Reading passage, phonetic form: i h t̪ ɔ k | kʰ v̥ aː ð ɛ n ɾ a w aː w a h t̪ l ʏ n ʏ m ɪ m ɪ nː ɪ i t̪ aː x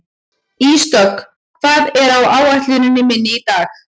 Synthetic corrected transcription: i s t̪ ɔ k | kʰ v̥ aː ð ɛ ɾ a w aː w a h t̪ l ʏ n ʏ n ɪ m ɪ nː ɪ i t̪ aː x